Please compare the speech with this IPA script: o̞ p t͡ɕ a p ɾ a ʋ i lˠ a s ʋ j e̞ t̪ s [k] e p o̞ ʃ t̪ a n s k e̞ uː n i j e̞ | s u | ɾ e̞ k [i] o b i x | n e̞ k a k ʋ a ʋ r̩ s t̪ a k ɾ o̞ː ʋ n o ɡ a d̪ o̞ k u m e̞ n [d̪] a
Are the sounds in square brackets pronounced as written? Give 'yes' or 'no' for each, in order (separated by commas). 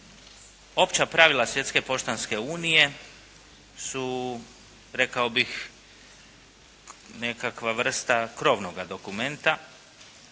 yes, no, no